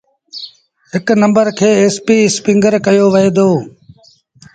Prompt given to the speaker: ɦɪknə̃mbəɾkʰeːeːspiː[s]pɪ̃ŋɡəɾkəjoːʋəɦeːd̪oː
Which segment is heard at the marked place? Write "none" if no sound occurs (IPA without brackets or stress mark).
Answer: s